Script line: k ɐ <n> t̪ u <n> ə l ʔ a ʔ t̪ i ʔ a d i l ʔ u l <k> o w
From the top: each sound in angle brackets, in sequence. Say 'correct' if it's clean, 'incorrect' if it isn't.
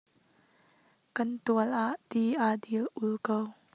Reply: correct, incorrect: none, correct

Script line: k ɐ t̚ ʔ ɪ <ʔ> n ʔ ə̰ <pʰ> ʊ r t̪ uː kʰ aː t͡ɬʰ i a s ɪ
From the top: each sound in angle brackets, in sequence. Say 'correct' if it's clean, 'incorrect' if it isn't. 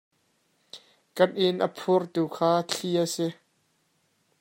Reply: incorrect: none, correct

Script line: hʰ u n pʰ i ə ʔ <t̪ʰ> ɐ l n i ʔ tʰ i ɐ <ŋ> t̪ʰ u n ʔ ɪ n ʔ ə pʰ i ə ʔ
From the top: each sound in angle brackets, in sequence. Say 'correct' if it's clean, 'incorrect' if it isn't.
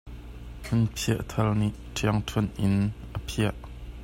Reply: correct, correct

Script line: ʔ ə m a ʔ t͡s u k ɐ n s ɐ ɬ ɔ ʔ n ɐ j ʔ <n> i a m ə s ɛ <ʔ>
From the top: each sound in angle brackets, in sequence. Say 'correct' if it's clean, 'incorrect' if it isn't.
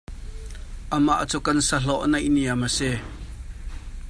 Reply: correct, incorrect: none

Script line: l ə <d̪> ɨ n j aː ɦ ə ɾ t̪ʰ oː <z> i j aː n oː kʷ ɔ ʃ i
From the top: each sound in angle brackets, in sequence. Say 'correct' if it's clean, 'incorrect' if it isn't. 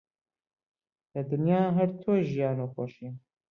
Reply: correct, incorrect: ʒ

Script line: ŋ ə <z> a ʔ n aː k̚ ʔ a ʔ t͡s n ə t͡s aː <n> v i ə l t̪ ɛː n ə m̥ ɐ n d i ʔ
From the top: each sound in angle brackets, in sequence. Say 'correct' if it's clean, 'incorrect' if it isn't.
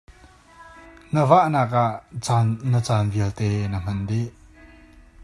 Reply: incorrect: v, correct

